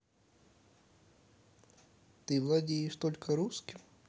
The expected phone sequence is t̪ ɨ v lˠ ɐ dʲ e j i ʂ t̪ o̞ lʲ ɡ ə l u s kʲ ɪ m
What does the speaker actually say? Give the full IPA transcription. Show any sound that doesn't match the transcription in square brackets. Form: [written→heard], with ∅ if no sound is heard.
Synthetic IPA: t̪ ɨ v lˠ ɐ dʲ e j [i→ɪ] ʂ t̪ o̞ lʲ [ɡ→k] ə [l→ɾ] u s kʲ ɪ m